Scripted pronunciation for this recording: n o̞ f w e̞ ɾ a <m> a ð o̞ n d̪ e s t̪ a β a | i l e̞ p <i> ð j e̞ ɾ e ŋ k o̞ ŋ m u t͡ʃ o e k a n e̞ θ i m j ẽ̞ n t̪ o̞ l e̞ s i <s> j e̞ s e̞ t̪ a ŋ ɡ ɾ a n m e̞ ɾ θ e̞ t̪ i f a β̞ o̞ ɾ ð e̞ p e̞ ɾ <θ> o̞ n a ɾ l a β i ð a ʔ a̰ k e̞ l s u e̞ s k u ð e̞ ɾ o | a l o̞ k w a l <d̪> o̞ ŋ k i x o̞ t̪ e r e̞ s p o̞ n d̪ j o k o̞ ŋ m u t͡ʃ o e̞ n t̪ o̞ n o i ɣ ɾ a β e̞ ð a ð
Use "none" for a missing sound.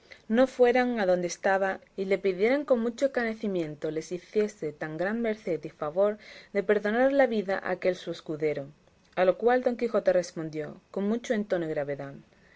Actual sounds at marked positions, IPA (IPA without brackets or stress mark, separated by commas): ŋ, i, θ, ð, d̪